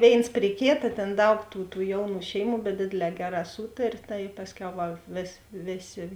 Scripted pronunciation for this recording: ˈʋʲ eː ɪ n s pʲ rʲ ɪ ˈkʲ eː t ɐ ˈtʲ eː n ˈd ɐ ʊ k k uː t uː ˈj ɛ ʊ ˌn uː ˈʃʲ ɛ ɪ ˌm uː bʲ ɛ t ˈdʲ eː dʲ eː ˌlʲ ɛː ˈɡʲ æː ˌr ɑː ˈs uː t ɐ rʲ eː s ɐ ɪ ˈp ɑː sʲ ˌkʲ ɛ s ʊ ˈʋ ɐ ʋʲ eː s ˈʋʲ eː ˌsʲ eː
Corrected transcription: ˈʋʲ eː ɪ n s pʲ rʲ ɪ ˈkʲ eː t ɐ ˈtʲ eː n ˈd ɐ ʊ k t uː t uː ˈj ɛ ʊ ˌn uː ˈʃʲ ɛ ɪ ˌm uː bʲ ɛ t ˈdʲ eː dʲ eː ˌlʲ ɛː ˈɡʲ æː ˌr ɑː ˈs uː t ɐ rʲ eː t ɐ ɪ ˈp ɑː sʲ ˌkʲ ɛ ʊ ˈʋ ɐ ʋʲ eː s ˈʋʲ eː ˌsʲ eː